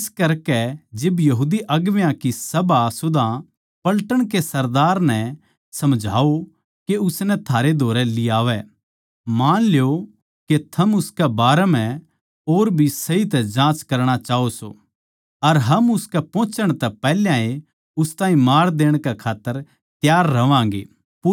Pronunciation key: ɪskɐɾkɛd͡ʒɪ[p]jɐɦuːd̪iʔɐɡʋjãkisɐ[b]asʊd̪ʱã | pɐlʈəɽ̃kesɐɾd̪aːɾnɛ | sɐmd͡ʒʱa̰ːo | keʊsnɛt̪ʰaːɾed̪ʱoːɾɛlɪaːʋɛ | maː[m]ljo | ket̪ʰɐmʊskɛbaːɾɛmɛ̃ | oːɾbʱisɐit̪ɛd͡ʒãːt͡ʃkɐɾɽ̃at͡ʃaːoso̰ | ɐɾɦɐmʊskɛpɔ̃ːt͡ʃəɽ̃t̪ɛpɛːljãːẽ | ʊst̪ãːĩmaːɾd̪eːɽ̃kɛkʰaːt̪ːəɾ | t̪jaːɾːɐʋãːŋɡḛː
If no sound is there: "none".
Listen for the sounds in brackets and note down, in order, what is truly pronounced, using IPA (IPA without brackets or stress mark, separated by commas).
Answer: b, b, n